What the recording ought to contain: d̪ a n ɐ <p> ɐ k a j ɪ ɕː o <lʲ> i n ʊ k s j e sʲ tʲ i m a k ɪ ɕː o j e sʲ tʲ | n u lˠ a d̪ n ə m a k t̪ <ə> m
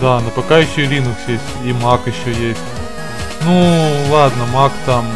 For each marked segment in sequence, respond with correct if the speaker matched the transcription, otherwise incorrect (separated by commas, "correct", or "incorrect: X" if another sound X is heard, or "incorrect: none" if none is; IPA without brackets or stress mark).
correct, correct, incorrect: a